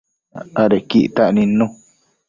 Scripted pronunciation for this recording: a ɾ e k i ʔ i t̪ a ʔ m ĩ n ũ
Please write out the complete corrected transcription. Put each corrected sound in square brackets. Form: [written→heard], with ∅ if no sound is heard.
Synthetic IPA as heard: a ɾ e k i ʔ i t̪ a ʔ [m→n] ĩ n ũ